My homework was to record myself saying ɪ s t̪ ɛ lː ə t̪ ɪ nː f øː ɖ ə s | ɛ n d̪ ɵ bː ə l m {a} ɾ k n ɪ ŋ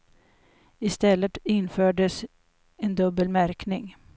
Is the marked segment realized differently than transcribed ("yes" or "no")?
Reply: yes